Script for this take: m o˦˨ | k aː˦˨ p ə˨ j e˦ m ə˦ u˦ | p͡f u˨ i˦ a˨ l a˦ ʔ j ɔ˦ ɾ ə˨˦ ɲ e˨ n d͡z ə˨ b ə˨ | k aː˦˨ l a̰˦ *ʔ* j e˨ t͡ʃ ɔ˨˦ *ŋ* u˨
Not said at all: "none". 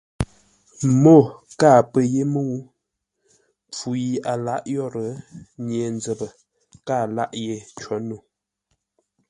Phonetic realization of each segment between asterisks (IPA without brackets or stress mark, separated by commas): ʔ, n